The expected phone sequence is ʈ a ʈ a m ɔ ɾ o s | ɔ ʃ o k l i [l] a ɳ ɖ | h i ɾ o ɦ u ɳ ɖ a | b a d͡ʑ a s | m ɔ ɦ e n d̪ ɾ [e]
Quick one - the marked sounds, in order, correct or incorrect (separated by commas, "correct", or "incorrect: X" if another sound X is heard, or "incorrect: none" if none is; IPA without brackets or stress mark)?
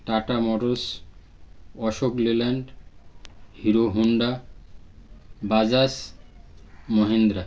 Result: correct, incorrect: a